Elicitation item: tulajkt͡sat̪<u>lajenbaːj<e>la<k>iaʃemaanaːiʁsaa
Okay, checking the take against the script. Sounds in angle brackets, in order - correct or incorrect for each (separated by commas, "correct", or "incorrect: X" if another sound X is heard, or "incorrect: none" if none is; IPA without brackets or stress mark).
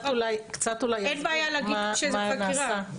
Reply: correct, incorrect: a, incorrect: ɡ